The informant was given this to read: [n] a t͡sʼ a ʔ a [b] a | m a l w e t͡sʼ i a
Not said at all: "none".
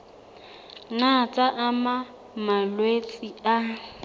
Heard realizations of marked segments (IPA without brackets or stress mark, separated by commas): n, m